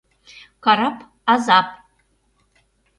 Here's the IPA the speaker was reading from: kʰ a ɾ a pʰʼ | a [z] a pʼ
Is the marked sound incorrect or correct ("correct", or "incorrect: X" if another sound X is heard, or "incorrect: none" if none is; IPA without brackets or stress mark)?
correct